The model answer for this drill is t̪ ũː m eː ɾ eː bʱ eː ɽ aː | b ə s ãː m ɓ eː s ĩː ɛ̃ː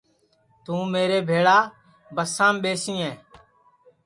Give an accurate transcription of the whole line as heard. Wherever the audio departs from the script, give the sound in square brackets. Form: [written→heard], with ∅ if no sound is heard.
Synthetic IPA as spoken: t̪ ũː m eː ɾ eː bʱ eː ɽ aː | b ə s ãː m ɓ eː s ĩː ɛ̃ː